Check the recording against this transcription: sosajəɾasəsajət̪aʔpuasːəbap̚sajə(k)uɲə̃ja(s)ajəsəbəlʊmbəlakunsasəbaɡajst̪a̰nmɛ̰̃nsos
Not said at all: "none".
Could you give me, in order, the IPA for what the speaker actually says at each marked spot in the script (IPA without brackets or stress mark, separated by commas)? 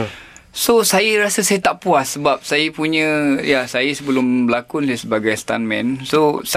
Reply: p, s